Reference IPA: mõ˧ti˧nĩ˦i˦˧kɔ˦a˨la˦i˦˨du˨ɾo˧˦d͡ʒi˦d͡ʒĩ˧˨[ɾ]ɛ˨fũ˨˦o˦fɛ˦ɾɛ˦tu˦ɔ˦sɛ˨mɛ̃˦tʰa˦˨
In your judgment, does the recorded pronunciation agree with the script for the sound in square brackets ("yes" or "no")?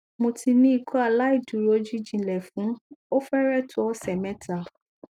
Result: no